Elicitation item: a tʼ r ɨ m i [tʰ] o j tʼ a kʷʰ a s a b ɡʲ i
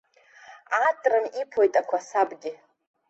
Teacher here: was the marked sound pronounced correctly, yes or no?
no